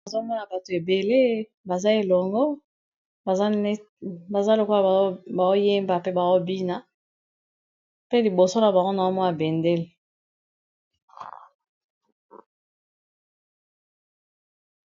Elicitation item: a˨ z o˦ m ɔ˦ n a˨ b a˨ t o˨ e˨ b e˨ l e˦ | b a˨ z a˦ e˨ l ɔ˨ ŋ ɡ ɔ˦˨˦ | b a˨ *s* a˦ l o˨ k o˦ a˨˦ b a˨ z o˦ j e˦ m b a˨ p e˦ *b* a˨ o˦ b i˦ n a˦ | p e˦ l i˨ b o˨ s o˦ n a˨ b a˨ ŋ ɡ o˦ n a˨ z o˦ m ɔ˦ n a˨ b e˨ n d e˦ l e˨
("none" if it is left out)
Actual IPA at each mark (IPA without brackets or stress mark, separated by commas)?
z, b